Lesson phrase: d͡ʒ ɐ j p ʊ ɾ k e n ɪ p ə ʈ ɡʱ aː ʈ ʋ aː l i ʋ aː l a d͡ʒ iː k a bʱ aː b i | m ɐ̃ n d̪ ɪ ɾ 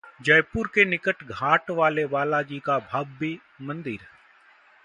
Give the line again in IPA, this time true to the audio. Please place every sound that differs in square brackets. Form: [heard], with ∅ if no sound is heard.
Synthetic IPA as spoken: d͡ʒ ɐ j p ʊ ɾ k e n ɪ [k] ə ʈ ɡʱ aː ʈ ʋ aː l [e] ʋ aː l a d͡ʒ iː k a bʱ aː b i | m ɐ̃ n d̪ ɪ ɾ